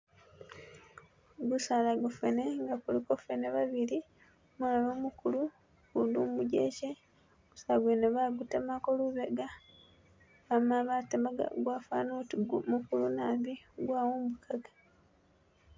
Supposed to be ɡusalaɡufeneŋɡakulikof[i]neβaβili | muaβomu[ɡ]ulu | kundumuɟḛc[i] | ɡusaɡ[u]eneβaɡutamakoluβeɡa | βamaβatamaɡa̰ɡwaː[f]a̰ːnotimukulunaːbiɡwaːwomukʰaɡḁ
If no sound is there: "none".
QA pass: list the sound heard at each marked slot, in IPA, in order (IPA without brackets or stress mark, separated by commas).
e, k, e, w, f